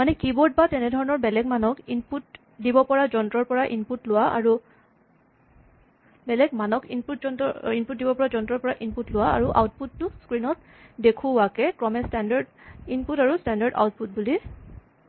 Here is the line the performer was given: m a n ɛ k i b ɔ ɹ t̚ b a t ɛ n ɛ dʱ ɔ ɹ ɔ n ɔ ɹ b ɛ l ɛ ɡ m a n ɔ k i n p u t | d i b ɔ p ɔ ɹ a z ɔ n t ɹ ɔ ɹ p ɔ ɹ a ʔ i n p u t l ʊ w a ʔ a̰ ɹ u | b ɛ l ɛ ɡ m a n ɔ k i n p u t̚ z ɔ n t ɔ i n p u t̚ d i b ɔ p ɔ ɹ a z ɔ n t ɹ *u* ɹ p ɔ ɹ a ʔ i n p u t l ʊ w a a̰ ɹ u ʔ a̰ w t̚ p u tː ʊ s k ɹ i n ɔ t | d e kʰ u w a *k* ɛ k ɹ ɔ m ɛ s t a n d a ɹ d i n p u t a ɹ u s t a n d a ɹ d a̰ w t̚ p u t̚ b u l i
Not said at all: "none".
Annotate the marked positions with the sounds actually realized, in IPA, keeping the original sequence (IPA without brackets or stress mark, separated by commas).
ɔ, k